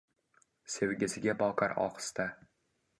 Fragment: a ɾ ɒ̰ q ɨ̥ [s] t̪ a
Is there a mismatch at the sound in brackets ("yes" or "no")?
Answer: no